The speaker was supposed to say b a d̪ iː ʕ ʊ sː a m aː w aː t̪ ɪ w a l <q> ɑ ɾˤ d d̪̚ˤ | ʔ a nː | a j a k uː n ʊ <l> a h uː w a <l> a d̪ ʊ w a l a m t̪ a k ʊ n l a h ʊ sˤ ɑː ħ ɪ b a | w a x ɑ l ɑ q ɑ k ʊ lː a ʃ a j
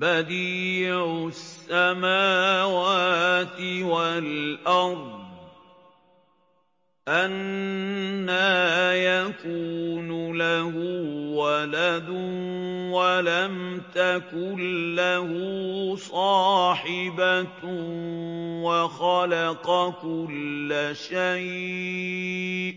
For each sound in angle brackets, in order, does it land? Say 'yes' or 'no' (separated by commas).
no, yes, yes